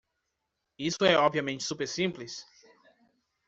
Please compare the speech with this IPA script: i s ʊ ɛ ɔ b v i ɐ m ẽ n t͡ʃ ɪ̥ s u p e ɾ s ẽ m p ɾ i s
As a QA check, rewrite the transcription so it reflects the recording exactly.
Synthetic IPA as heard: i s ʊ ɛ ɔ b v i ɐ m ẽ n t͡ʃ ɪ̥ s u p e ɾ s ĩ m p l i s